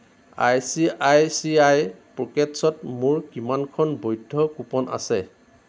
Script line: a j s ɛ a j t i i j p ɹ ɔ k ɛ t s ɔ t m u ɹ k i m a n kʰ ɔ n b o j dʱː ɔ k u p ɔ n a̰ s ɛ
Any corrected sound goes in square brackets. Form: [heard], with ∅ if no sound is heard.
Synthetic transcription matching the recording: a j s [i] a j [s] i [a] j p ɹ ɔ k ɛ t s ɔ t m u ɹ k i m a n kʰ ɔ n b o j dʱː ɔ k u p ɔ n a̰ s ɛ